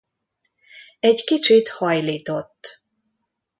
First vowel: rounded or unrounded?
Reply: unrounded